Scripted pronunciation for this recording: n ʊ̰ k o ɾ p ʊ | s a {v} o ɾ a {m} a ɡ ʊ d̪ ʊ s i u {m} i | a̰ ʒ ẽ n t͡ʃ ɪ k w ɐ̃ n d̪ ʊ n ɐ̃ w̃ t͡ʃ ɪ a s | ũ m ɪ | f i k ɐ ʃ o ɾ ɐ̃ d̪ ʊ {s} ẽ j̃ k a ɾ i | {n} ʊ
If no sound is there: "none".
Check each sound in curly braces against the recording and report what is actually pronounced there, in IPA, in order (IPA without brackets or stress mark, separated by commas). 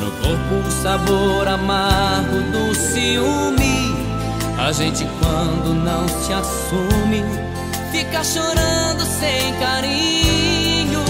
b, m, m, s, ɲ